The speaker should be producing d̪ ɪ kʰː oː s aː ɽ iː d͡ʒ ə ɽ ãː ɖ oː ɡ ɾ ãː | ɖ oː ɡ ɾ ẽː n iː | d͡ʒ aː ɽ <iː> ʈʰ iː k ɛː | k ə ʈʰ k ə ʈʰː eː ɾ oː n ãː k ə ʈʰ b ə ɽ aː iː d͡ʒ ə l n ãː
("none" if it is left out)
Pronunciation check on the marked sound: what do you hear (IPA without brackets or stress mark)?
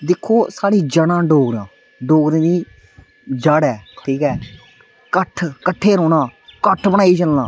ɛː